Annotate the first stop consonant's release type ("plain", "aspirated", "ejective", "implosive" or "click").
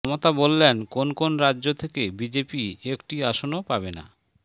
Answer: plain